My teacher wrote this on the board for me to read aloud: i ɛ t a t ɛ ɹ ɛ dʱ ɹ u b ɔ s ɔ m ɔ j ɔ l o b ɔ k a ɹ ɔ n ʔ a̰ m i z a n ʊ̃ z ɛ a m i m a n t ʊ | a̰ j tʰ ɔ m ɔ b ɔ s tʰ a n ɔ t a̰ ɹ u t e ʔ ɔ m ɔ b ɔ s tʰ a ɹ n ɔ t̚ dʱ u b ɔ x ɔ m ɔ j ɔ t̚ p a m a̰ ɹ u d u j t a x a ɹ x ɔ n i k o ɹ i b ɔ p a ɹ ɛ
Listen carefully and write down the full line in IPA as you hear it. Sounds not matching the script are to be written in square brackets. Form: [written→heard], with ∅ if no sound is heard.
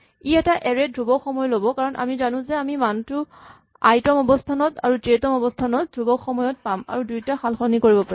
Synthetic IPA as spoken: i ɛ t a [t→ʔ] ɛ ɹ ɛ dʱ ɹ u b ɔ [s→x] ɔ m ɔ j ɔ l o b ɔ k a ɹ ɔ n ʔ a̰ m i z a n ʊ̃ z ɛ a m i m a n t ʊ | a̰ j [tʰ→t] ɔ m ɔ b ɔ s tʰ a n ɔ t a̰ ɹ u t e [ʔ→t] ɔ m ɔ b ɔ s tʰ a [ɹ→∅] n ɔ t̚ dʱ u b ɔ x ɔ m ɔ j ɔ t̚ p a m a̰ ɹ u d u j t a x a [ɹ→l] x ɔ n i k o ɹ i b ɔ p a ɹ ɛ